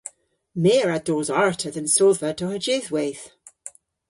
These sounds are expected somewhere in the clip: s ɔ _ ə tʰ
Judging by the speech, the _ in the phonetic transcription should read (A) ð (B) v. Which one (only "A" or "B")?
B